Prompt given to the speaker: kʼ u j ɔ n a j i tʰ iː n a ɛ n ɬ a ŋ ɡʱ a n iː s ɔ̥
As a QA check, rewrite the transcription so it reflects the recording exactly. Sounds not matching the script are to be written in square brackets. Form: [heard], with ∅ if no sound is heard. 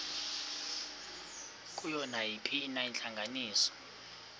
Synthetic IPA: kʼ u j ɔ n a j i [pʰ] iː n a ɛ n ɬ a ŋ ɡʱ a n iː s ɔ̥

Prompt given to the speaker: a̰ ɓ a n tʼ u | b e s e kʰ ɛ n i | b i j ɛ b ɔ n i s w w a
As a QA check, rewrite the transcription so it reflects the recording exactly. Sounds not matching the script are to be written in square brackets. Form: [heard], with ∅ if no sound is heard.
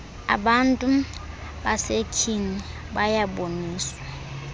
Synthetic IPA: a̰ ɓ a n tʼ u | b [a] s e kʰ [i] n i | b [a] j [a] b [o] n [iː] s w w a

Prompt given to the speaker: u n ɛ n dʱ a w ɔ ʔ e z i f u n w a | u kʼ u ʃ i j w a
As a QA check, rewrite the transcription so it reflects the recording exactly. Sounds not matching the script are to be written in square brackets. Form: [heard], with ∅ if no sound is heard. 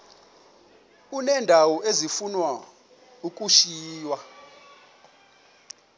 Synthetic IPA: u n ɛ n dʱ a w ɔ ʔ e z i f u n w a | u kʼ u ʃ [iː] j w a

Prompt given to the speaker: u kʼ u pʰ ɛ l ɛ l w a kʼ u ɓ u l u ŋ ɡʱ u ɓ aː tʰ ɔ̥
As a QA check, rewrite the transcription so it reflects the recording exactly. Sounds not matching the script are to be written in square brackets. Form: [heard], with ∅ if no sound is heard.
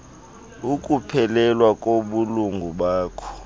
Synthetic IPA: u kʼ u pʰ ɛ l ɛ l w a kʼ [o] ɓ u l u ŋ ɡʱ u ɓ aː [kʰ] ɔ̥

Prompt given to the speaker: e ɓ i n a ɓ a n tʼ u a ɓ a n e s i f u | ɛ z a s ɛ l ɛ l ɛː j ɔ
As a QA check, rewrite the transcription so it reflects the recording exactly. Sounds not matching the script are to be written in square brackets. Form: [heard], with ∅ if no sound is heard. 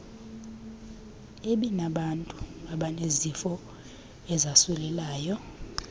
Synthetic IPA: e ɓ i n a ɓ a n tʼ u a ɓ a n e [z] i f [ɔ] | ɛ z a s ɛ l ɛ l [aː] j ɔ

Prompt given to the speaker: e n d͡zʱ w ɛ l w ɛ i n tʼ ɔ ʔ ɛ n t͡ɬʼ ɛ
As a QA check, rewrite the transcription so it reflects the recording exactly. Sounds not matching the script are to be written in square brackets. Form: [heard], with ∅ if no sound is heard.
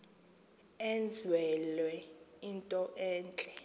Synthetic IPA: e n d͡zʱ w ɛ l w ɛ i n tʼ ɔ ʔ [ɛː] n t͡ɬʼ ɛ

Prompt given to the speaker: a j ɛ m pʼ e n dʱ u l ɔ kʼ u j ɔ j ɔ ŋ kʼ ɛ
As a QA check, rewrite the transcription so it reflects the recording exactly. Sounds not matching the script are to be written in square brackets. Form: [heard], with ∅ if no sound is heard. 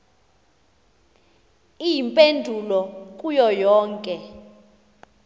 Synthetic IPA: [i] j [i] m pʼ e n dʱ u l ɔ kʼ u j ɔ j [ɔː] ŋ kʼ ɛ

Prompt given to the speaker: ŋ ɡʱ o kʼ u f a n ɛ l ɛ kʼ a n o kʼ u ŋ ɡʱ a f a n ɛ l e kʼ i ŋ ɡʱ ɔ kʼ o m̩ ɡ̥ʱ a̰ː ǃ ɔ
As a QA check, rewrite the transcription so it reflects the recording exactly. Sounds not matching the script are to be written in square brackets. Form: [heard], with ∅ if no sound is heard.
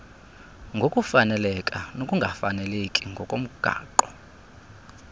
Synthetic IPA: ŋ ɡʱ o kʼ u f a n ɛ l ɛ kʼ a n o kʼ u ŋ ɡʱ a f a n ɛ l e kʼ i ŋ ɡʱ ɔ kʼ o m̩ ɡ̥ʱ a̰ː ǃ ɔ

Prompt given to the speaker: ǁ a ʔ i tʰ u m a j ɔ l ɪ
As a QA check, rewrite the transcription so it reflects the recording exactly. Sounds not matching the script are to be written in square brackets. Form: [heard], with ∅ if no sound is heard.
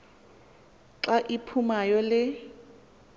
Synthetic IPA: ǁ a ʔ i [pʰ] u m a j ɔ l ɪ

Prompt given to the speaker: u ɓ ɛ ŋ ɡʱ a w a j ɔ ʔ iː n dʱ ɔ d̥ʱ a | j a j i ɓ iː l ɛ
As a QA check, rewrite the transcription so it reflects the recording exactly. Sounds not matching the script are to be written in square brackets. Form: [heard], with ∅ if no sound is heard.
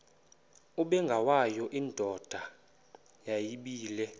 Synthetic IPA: u ɓ ɛ ŋ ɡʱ a w a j ɔ ʔ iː n dʱ ɔ d̥ʱ a | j a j i ɓ iː l ɛ

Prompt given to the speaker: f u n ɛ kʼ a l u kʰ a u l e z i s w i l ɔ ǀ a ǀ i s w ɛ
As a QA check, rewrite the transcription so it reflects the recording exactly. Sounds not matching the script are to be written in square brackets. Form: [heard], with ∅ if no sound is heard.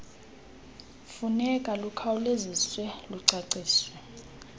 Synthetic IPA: f u n ɛ kʼ a l u kʰ a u l e z i s w [ɛ] l [u] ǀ a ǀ [iː] s w ɛ

